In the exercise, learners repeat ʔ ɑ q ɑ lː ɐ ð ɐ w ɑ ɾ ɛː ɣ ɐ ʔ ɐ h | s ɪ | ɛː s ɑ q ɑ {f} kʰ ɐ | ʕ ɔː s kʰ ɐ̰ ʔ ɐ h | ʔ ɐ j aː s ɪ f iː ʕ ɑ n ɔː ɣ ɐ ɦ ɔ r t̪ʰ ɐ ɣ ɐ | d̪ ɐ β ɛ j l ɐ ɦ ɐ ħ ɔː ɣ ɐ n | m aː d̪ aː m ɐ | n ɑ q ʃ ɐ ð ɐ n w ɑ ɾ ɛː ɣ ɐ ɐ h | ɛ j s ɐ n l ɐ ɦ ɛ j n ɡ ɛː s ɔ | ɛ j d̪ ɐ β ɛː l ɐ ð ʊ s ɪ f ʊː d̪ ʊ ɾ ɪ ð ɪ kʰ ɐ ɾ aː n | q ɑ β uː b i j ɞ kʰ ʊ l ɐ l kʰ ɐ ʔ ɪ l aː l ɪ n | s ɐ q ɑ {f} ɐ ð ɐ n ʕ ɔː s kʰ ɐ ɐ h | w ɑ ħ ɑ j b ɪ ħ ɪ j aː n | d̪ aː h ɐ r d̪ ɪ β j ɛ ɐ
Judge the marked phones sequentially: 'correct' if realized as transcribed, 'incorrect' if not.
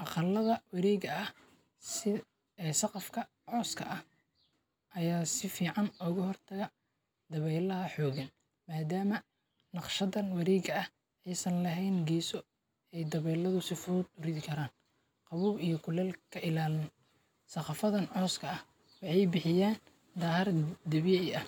correct, correct

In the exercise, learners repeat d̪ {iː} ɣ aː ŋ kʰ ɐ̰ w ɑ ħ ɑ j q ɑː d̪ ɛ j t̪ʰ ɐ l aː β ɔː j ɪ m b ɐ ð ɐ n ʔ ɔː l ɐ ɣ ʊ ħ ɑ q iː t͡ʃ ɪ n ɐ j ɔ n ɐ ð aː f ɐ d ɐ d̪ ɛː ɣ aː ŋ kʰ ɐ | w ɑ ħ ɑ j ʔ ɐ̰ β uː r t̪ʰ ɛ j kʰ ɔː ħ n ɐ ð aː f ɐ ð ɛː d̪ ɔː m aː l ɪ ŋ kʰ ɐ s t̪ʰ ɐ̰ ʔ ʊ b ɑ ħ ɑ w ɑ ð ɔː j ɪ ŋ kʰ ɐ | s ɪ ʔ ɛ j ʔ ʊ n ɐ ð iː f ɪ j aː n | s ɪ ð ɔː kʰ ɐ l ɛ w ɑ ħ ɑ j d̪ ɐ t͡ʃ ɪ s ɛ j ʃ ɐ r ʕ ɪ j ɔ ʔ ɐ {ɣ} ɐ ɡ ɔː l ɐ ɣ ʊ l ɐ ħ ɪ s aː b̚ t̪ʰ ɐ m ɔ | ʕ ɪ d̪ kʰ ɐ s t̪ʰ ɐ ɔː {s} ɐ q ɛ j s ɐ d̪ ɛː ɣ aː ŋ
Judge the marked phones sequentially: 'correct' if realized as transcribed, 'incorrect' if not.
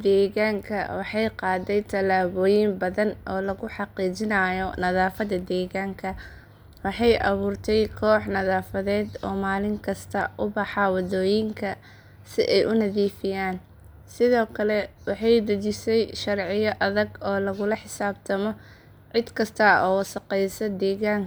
incorrect: ɛː, incorrect: ð, correct

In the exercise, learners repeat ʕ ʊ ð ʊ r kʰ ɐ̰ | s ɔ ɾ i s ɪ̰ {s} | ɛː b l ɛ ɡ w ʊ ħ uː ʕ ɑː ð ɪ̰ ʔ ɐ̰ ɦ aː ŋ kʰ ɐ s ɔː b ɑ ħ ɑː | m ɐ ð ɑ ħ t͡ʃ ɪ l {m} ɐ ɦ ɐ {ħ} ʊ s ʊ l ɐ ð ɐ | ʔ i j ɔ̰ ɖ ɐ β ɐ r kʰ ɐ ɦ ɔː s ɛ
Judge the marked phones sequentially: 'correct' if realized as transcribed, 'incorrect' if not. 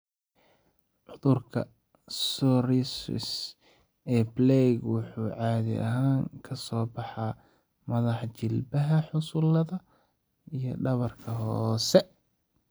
correct, incorrect: b, correct

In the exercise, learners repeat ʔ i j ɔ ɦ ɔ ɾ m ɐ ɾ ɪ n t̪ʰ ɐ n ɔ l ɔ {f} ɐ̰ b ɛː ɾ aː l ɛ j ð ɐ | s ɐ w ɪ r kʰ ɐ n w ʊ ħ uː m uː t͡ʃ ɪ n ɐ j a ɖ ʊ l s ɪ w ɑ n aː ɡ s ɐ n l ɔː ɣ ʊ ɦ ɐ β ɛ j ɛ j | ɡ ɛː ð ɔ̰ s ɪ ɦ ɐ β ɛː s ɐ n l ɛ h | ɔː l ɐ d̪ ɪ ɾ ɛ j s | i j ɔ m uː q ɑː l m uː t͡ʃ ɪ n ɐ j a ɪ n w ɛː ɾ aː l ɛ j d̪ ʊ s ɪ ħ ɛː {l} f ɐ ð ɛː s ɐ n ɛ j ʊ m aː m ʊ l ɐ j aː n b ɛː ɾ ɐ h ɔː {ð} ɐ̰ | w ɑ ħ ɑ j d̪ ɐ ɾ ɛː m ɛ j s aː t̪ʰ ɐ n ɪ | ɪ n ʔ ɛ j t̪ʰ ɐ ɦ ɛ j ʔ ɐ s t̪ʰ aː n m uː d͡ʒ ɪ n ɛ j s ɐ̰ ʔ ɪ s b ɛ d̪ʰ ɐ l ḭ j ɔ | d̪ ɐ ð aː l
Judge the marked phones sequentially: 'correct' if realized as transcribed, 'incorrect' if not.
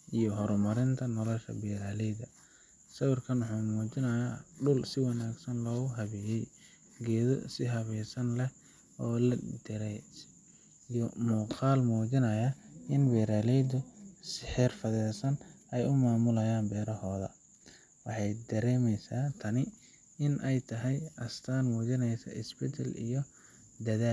incorrect: ʃ, incorrect: r, correct

